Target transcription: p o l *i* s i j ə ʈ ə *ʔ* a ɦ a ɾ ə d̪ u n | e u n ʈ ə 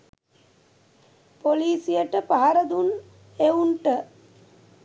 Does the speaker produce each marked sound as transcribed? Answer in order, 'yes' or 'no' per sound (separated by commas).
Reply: no, no